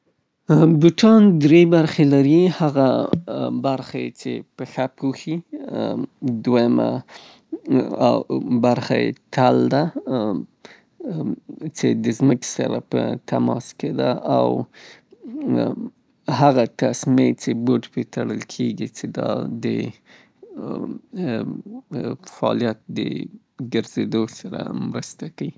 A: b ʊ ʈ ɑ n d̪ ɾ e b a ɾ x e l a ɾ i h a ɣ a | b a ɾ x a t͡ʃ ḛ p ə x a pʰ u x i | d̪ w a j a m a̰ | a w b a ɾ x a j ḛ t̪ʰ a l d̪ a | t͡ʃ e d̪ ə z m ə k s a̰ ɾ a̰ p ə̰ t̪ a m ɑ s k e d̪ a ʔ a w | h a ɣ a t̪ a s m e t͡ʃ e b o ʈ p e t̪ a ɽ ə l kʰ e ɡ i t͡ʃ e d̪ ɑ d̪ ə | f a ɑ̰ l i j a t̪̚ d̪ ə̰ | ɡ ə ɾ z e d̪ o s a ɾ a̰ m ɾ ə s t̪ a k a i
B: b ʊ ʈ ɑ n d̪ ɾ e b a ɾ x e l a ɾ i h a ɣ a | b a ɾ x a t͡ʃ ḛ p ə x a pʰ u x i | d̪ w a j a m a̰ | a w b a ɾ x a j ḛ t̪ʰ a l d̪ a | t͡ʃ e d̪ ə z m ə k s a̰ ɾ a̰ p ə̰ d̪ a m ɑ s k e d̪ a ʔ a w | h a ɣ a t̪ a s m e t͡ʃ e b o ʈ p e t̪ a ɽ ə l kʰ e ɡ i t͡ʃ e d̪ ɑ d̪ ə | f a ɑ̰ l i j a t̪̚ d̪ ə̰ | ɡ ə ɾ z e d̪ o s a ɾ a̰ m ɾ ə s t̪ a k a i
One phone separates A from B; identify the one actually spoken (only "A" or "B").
A